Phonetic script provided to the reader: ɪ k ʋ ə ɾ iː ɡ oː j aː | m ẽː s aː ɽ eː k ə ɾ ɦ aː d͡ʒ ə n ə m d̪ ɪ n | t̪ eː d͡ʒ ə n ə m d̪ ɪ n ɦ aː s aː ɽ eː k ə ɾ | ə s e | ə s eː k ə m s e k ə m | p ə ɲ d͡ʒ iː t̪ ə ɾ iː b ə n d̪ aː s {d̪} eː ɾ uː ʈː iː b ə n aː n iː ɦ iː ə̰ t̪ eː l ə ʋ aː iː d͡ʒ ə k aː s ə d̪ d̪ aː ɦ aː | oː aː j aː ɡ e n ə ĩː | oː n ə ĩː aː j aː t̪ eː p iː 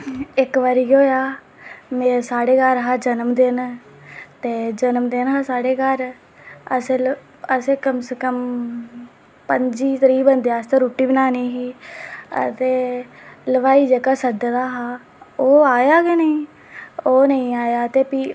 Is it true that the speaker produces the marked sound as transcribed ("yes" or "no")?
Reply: no